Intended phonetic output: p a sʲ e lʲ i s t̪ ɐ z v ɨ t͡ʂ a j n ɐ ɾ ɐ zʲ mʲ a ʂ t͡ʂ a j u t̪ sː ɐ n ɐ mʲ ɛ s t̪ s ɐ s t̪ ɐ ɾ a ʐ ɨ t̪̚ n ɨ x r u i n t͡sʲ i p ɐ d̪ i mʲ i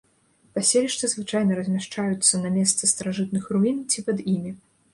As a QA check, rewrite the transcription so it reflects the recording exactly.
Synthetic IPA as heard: p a sʲ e lʲ i ʂ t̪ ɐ z v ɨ t͡ʂ a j n ɐ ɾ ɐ zʲ mʲ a ʂ t͡ʂ a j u t̪ sː ɐ n ɐ mʲ ɛ s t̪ s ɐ s t̪ ɐ ɾ a ʐ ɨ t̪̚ n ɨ x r u i n t͡sʲ i p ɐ d̪ i mʲ i